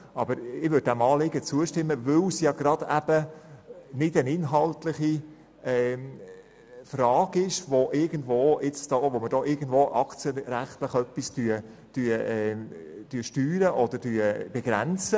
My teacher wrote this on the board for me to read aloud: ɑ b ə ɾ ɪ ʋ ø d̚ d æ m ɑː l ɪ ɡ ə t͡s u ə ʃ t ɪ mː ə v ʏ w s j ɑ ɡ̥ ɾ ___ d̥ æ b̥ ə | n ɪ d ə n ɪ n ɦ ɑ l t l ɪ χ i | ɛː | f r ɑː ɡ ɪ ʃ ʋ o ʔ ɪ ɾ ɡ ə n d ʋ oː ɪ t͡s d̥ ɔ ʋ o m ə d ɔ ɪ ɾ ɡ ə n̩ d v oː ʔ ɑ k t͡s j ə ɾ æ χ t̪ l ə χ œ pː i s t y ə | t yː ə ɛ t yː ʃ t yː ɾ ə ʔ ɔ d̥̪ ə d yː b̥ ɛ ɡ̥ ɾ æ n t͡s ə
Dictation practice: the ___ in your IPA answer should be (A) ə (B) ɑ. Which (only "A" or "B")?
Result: B